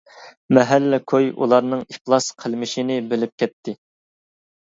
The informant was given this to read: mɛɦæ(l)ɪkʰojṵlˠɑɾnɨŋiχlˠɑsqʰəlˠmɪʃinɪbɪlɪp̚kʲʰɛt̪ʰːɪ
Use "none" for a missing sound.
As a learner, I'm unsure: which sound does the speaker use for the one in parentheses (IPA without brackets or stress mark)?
lː